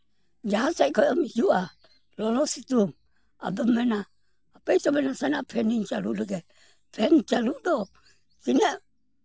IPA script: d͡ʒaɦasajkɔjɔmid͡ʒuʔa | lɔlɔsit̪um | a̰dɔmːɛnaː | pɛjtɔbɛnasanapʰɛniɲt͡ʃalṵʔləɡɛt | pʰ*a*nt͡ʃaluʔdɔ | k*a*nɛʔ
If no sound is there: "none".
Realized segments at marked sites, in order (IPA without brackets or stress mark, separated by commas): ɛ, i